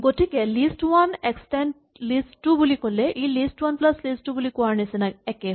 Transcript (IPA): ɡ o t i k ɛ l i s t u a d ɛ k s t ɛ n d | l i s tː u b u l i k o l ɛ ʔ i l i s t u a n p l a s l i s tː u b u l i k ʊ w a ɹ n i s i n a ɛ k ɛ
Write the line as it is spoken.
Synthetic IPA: ɡ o t i k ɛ l i s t w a n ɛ k s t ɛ n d | l i s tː u b u l i k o l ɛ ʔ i l i s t w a n p l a s l i s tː u b u l i k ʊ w a ɹ n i s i n a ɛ k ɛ